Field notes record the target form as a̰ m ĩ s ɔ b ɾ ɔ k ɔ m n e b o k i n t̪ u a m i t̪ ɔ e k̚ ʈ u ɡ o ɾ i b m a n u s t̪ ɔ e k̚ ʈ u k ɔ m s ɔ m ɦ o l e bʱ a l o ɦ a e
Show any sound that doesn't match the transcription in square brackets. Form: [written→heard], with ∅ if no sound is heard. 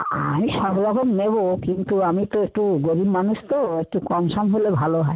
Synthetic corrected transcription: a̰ m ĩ s ɔ b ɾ ɔ k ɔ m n e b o k i n t̪ u a m i t̪ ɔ e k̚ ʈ u ɡ o ɾ i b m a n u s t̪ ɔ e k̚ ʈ u k ɔ m s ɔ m ɦ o l e bʱ a l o ɦ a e